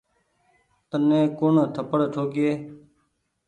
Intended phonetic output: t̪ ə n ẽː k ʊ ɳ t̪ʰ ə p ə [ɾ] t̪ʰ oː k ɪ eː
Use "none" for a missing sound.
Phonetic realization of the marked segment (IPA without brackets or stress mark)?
ɽ